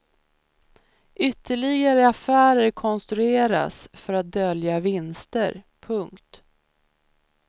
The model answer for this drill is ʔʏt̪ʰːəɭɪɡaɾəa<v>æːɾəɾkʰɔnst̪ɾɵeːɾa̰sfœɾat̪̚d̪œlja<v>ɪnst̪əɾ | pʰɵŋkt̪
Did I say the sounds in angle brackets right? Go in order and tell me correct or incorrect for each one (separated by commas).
incorrect, correct